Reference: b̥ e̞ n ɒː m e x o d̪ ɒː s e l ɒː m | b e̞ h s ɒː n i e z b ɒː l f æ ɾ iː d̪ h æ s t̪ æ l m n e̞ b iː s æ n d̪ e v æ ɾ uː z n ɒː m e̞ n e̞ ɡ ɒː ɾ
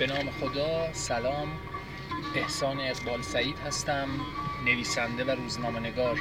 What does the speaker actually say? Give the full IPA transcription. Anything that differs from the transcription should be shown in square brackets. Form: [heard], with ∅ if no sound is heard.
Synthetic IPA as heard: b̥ e̞ n ɒː m e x o d̪ ɒː s [æ] l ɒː m | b e̞ h s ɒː n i [æ] z b ɒː l [s] æ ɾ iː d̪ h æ s t̪ æ [∅] m n e̞ [v] iː s æ n d̪ e v æ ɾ uː z n ɒː m e̞ n e̞ ɡ ɒː ɾ